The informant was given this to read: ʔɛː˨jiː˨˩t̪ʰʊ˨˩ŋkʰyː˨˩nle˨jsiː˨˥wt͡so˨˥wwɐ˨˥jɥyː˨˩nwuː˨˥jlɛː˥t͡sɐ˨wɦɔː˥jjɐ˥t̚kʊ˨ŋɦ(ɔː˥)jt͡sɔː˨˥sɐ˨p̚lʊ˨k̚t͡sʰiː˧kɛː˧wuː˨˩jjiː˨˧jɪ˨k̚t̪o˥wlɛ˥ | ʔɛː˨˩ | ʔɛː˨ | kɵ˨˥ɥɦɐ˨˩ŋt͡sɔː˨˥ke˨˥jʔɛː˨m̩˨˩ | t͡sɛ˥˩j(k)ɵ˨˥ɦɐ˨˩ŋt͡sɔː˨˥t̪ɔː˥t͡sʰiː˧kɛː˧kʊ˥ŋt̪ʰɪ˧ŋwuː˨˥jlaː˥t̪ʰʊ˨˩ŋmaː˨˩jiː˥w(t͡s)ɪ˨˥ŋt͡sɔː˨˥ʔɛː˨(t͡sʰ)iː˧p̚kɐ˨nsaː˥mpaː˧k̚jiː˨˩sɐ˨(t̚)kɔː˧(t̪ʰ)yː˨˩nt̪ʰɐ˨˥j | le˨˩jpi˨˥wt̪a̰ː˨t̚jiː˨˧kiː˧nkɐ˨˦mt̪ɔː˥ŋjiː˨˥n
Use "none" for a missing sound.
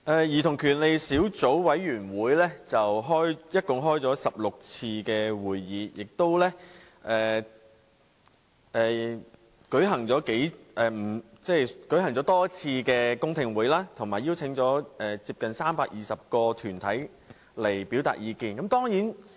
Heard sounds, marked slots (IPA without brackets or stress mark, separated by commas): ɔː˥, k, t͡sʰ, t͡s, p̚, t̪ʰ